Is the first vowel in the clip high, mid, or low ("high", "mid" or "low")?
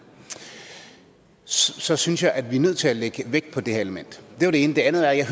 low